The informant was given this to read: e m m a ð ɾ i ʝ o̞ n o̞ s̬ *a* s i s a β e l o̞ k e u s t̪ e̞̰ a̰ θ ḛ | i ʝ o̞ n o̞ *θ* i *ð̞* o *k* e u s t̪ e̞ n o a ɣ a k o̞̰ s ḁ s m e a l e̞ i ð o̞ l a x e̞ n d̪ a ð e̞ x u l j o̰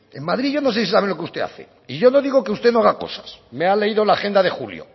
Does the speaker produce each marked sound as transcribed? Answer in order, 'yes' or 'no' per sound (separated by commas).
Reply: no, no, no, yes